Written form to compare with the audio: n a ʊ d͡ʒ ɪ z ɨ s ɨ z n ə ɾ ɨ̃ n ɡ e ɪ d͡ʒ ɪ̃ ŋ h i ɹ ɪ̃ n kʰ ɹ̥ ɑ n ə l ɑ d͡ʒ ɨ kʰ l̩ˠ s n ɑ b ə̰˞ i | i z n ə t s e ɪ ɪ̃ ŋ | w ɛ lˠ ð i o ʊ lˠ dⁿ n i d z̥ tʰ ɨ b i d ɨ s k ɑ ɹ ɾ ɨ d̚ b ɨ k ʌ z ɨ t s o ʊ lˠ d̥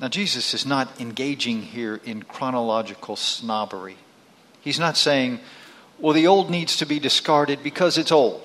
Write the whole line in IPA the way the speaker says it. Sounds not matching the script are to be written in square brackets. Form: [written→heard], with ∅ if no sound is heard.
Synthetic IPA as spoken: n a ʊ d͡ʒ [ɪ→i] z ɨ s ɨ z n ə ɾ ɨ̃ n ɡ e ɪ d͡ʒ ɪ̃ ŋ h i ɹ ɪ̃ n kʰ ɹ̥ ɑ n ə l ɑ d͡ʒ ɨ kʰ l̩ˠ s n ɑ b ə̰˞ i | i z n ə t s e ɪ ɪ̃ ŋ | w ɛ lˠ ð i o ʊ lˠ dⁿ n i d z̥ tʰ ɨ b i d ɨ s k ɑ ɹ ɾ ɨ d̚ b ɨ [k→kʰ] ʌ z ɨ t s o ʊ lˠ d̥